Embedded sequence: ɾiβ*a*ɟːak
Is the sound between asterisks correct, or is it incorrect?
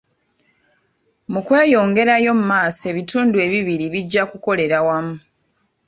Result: incorrect: i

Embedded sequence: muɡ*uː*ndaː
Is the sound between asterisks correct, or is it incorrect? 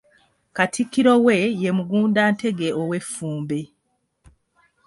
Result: correct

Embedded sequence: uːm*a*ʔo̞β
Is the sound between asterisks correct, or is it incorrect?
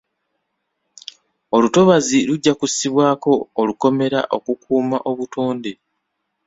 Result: correct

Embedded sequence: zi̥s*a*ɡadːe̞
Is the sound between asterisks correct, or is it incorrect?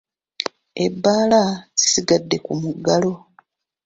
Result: incorrect: i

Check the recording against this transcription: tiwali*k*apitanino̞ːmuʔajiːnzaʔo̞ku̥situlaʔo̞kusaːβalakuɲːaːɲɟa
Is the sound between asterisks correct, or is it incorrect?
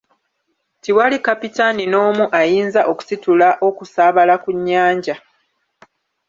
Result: correct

